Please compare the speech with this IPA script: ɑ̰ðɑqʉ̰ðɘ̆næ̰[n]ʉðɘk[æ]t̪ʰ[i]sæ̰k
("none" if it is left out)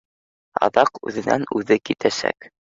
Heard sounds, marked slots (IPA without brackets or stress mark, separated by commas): n, i, æ